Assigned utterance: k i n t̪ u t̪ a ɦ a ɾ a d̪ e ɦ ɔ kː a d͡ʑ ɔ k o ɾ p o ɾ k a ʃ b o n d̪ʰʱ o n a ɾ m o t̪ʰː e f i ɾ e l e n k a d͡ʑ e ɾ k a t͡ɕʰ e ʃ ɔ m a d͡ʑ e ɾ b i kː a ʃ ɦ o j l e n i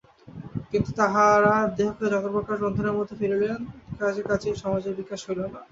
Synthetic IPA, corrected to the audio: k i n t̪ u t̪ a ɦ a ɾ a d̪ e ɦ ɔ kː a d͡ʑ ɔ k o ɾ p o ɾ k a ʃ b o n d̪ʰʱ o n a ɾ m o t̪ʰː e f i ɾ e l e n k a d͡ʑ e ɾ k a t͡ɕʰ e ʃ ɔ m a d͡ʑ e ɾ b i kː a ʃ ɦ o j l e n a